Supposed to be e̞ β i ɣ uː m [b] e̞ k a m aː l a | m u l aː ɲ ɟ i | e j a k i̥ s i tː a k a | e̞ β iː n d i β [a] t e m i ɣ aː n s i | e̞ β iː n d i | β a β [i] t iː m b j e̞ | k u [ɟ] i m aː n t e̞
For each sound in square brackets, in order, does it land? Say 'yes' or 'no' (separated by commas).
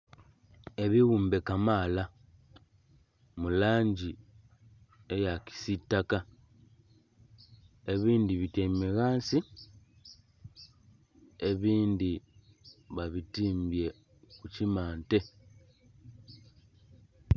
yes, no, yes, no